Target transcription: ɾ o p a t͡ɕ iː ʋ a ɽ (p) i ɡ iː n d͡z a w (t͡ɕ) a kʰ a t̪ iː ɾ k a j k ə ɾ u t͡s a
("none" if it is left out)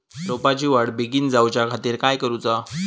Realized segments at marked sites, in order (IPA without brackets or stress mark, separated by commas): b, t͡ɕ